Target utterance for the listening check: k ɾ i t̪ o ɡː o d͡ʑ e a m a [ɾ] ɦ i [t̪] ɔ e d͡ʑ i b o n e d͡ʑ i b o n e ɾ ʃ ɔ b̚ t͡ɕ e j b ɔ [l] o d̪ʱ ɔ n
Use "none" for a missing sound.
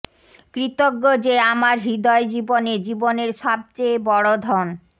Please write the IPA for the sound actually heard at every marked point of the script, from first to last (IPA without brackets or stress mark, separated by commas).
ɾ, d̪, ɽ